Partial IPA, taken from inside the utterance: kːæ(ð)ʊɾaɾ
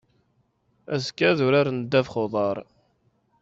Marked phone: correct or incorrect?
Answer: correct